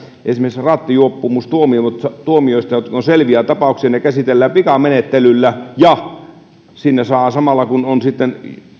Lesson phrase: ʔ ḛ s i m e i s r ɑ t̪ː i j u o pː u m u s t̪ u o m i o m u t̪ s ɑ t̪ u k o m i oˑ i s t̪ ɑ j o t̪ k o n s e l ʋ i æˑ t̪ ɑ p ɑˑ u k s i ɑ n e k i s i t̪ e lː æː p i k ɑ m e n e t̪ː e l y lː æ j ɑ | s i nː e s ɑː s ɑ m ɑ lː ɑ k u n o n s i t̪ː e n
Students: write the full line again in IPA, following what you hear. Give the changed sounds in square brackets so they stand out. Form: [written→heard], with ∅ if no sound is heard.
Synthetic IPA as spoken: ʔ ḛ s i m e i s r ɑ t̪ː i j u o pː u m u s t̪ u o m i o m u t̪ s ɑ t̪ u [k→∅] o m i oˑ i s t̪ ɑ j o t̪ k o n s e l ʋ i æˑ t̪ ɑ p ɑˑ u k s i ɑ n e k [i→æ] s i t̪ e lː æː p i k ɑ m e n e t̪ː e l y lː æ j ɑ | s i nː e s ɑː s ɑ m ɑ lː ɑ k u n o n s i t̪ː e n